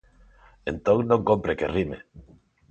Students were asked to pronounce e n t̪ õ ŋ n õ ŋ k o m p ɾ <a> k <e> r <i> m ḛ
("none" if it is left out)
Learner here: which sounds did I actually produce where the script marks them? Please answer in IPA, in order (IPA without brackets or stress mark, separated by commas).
e, e, i